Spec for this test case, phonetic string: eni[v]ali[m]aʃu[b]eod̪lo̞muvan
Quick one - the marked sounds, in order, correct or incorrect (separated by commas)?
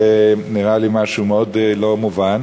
incorrect, correct, incorrect